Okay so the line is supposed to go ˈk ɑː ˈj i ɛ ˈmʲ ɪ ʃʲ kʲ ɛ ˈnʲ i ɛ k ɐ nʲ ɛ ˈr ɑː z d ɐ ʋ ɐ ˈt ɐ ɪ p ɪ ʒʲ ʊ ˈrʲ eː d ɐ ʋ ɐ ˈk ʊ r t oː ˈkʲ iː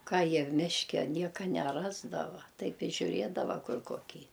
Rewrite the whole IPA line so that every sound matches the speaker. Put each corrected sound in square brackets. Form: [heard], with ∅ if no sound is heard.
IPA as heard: ˈk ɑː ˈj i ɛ ˈmʲ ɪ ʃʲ kʲ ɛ ˈnʲ i ɛ k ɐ nʲ ɛ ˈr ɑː z d ɐ ʋ ɐ ˈt ɐ ɪ p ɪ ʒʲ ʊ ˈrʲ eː d ɐ ʋ ɐ ˈk ʊ r [k] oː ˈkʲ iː